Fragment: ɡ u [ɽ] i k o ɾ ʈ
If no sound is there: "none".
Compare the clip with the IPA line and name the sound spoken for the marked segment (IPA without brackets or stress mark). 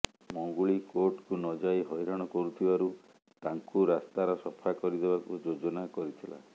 ɭ